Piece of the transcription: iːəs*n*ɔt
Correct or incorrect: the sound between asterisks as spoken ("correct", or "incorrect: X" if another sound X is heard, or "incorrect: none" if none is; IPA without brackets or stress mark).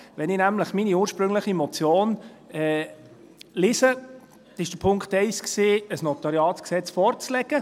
correct